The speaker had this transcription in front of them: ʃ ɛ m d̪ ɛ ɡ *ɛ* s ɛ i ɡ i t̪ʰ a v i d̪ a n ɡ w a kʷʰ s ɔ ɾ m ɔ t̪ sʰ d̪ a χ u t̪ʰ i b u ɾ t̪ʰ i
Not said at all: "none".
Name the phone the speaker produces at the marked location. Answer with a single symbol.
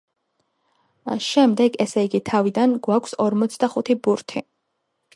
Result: ɛ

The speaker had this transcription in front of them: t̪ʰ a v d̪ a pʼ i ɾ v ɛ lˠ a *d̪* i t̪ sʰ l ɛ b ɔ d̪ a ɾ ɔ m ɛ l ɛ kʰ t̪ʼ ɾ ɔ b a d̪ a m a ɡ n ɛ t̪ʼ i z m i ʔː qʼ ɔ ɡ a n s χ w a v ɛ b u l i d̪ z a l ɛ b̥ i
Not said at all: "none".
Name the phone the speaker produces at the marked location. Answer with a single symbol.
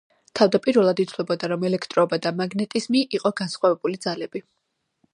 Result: d̪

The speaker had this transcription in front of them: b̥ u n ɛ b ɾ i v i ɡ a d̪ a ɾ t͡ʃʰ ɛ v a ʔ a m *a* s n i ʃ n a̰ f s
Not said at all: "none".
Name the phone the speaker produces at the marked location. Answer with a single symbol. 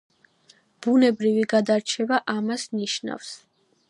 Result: a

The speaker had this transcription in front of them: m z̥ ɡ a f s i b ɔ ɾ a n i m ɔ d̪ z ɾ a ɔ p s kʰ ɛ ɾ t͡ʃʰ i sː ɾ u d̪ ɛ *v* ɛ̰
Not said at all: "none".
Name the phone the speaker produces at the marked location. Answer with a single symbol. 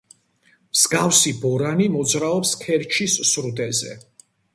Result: z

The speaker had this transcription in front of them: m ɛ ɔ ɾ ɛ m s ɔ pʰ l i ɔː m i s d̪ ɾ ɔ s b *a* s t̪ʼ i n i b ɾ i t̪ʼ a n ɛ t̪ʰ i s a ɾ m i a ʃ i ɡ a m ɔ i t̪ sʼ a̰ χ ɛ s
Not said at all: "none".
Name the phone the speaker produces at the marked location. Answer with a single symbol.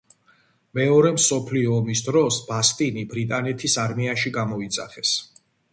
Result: a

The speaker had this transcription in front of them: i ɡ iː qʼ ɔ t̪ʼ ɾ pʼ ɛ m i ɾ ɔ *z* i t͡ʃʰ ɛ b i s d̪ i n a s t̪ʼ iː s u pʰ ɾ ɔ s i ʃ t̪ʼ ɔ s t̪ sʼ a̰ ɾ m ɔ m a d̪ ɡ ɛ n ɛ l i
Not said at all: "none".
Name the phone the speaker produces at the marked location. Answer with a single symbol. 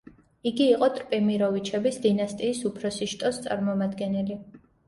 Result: v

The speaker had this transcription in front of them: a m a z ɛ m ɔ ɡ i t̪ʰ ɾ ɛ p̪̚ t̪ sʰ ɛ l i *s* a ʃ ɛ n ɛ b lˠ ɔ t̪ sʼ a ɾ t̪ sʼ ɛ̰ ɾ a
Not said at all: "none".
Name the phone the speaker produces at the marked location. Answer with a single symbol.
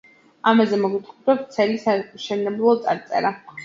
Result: s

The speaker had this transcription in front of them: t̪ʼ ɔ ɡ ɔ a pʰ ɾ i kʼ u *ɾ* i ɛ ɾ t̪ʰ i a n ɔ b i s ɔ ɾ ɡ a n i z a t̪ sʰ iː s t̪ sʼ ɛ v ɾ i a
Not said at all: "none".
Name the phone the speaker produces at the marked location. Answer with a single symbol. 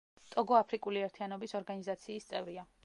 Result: l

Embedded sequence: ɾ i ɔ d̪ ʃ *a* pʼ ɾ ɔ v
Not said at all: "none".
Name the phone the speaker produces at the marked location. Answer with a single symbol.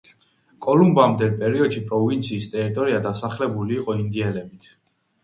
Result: i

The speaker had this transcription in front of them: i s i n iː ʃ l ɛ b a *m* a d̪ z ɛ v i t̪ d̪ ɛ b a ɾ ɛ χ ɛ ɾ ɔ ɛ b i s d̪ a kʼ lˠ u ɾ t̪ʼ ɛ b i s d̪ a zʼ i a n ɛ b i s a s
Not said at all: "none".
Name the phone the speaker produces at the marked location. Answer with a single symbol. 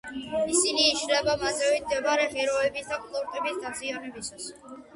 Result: m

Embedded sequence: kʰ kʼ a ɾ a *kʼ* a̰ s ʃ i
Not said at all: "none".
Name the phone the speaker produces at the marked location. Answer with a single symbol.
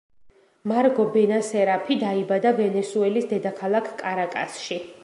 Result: kʼ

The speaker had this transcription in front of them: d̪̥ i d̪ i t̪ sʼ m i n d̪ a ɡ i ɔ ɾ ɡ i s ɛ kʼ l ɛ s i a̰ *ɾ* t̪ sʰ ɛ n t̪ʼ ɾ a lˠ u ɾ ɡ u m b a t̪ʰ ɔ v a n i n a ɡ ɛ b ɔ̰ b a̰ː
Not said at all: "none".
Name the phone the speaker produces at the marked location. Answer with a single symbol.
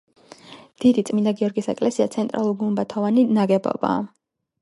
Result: none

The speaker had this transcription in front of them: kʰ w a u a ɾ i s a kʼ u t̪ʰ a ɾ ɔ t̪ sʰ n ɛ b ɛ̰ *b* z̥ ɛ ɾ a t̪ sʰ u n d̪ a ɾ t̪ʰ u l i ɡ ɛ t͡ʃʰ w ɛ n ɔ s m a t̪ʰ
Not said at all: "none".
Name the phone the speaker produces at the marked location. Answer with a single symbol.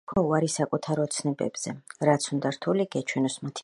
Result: b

